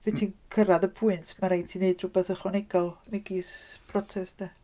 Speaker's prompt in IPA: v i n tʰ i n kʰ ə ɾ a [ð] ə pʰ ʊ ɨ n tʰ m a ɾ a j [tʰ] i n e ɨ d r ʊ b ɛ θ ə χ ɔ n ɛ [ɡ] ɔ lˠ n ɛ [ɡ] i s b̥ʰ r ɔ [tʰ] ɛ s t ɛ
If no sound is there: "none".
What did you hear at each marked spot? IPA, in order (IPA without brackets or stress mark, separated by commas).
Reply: ð, tʰ, ɡ, ɡ, tʰ